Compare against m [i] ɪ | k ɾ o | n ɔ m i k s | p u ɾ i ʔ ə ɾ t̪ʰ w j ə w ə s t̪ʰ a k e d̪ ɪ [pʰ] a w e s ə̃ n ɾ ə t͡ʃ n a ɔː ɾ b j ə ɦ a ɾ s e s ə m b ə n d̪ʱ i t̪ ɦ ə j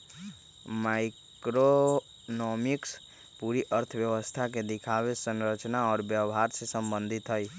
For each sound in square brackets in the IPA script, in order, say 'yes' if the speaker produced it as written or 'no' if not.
no, no

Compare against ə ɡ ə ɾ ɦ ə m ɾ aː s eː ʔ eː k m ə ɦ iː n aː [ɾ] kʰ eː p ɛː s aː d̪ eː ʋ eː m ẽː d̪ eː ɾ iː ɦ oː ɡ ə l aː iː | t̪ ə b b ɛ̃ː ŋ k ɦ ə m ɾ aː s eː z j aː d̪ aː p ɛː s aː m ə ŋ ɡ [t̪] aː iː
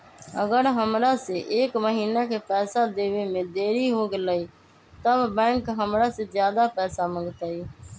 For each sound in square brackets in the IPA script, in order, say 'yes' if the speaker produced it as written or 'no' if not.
no, yes

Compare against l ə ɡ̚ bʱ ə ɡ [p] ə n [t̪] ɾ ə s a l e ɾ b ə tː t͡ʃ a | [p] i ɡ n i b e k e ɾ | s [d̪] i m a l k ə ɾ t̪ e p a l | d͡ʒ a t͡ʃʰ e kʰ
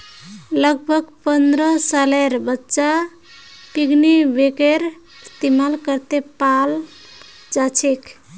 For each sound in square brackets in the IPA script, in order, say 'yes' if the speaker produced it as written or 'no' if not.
yes, no, yes, no

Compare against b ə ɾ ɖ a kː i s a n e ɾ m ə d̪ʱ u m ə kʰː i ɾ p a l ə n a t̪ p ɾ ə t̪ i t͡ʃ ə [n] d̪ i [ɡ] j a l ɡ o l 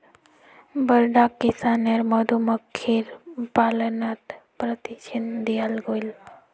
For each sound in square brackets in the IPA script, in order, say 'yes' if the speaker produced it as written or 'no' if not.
yes, no

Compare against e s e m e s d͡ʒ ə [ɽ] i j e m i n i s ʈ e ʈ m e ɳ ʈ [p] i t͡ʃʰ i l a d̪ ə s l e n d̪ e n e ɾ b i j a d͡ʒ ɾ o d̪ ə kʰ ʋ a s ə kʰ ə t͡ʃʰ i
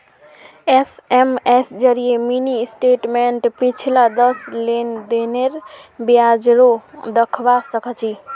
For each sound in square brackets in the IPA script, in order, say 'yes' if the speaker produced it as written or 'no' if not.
no, yes

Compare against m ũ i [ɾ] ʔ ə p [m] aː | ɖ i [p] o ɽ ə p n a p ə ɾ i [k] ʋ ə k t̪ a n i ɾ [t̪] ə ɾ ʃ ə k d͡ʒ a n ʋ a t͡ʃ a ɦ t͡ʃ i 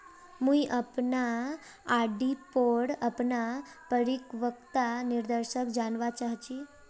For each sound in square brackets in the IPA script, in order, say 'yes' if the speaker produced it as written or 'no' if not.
no, no, yes, yes, no

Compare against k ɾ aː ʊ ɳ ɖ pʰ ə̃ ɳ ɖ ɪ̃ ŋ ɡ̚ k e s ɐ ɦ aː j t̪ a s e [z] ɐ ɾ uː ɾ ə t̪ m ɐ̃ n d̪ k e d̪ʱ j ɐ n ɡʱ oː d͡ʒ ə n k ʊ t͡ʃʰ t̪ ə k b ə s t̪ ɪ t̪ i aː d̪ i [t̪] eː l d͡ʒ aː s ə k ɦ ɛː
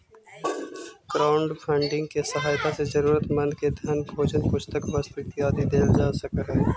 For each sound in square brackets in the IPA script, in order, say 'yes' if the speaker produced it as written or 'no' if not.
yes, no

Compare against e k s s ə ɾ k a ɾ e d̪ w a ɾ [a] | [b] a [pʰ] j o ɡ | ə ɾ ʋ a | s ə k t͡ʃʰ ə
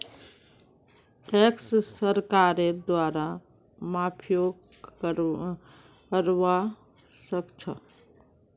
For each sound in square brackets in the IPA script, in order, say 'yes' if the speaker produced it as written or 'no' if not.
yes, no, yes

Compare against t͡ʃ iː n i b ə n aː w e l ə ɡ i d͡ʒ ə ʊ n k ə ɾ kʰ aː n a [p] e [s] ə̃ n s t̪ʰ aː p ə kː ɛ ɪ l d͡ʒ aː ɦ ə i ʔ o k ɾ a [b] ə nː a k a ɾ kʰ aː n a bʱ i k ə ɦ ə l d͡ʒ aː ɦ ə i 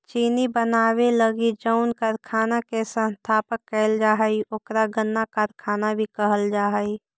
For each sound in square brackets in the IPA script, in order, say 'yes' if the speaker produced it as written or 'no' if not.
no, yes, no

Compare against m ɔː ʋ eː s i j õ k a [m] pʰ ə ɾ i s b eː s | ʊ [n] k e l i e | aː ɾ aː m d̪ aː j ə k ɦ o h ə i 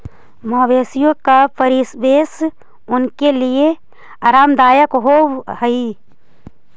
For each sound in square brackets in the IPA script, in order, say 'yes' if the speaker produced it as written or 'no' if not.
no, yes

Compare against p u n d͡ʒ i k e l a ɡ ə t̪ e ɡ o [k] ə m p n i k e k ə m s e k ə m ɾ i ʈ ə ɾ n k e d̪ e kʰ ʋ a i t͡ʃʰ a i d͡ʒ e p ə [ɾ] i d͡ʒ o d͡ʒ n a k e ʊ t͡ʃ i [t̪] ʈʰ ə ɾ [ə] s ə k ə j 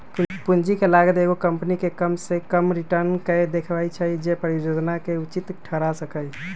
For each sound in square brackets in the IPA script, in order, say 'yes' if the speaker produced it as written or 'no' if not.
yes, yes, yes, no

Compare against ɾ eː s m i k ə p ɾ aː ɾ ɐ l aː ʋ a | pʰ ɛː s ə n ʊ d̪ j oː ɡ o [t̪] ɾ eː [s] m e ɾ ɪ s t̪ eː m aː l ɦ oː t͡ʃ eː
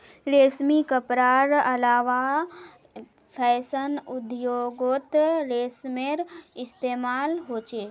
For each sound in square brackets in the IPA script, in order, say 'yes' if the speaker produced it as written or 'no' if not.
yes, yes

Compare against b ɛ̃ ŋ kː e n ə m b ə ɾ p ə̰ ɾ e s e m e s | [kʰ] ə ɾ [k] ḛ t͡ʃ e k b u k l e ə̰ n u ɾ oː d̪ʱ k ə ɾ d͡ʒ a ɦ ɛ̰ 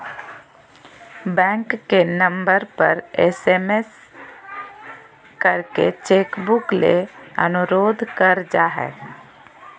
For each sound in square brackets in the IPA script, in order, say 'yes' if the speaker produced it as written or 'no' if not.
no, yes

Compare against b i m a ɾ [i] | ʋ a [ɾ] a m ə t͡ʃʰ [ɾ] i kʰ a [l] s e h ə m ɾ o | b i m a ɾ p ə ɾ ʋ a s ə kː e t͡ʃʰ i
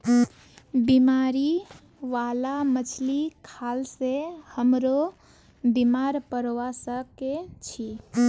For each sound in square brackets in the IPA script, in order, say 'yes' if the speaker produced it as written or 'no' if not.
yes, no, no, yes

